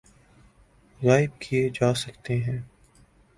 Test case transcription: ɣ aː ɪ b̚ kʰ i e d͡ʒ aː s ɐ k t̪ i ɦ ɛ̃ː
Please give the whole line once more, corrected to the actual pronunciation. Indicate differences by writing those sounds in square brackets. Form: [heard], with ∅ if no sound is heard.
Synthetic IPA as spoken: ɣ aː ɪ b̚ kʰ i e d͡ʒ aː s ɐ k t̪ [e] ɦ ɛ̃ː